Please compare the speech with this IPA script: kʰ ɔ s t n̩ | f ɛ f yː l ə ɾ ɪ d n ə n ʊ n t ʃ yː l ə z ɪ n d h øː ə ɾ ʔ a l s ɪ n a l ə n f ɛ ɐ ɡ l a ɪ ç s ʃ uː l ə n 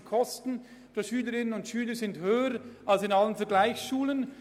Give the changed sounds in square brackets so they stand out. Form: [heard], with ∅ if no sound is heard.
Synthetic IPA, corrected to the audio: kʰ ɔ s t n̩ | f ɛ [ʃ] yː l ə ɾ ɪ [∅] n ə n ʊ n t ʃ yː l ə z ɪ n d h øː ə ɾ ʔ a l s ɪ n a l ə n f ɛ ɐ ɡ l a ɪ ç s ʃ uː l ə n